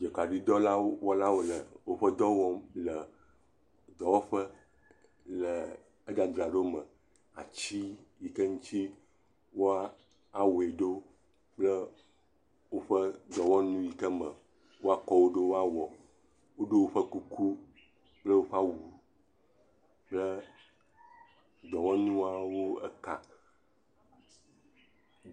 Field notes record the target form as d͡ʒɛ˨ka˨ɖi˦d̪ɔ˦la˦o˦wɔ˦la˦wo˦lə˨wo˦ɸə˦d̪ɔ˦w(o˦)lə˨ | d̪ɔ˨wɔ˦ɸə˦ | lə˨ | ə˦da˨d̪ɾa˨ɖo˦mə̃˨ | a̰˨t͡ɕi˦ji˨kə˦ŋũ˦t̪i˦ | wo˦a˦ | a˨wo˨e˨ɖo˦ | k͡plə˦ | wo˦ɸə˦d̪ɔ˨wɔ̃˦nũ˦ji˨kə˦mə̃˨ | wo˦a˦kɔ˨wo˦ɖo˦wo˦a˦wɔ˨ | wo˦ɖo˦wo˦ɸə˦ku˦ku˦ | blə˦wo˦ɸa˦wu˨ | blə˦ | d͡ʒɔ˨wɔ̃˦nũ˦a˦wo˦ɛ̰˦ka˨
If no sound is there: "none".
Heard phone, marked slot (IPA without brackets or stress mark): ɔ˦